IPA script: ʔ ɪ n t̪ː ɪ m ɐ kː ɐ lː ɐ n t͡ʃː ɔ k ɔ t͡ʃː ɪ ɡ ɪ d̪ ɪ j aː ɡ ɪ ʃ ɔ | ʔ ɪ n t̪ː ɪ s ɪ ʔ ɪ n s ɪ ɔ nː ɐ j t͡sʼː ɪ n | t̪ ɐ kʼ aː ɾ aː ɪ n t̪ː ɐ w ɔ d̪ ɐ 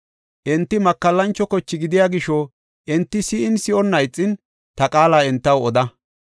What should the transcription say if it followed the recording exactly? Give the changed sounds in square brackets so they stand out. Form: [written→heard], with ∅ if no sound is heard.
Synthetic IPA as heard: ʔ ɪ n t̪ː ɪ m ɐ kː ɐ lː ɐ n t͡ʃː ɔ k ɔ t͡ʃː ɪ ɡ ɪ d̪ ɪ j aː ɡ ɪ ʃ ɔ | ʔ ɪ n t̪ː ɪ s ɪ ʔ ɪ n s ɪ ɔ nː ɐ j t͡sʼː ɪ n | t̪ ɐ kʼ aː [ɾ→l] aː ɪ n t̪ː ɐ w ɔ d̪ ɐ